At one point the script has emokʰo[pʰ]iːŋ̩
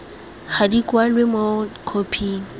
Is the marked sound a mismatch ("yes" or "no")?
no